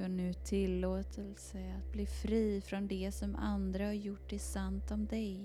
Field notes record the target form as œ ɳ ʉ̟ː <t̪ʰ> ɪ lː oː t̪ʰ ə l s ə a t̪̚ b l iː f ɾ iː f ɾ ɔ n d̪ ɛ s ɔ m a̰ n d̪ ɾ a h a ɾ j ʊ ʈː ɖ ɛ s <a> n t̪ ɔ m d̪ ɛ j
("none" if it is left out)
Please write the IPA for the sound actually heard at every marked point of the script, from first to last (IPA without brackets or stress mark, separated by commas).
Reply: t̪ʰ, a